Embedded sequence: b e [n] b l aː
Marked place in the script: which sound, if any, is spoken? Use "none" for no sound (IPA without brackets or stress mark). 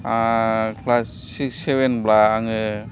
n